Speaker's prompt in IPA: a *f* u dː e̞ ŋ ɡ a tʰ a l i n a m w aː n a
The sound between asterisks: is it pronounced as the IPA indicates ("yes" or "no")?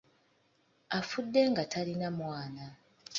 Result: yes